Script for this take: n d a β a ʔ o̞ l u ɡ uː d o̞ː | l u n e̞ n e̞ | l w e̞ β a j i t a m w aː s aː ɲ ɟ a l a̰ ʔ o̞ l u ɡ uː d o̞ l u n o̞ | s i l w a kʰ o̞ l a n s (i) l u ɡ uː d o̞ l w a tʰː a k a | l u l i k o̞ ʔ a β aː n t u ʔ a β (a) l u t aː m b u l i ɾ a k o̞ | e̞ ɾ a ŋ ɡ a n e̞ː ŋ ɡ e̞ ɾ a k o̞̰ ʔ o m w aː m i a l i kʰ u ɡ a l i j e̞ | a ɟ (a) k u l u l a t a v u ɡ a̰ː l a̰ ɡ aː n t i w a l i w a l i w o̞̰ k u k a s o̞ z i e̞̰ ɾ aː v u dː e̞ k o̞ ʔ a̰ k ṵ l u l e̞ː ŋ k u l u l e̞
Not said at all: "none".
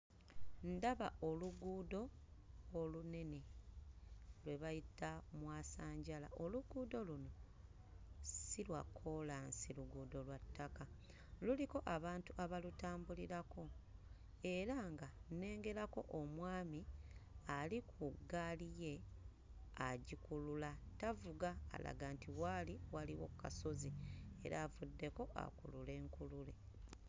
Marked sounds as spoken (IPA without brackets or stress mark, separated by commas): i, a, i